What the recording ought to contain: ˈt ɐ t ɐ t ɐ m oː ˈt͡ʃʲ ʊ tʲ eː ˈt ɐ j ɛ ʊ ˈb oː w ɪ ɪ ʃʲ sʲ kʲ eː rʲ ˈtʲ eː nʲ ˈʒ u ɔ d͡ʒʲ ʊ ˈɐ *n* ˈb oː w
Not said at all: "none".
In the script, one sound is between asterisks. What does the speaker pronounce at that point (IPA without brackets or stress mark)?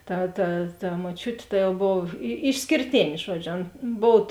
n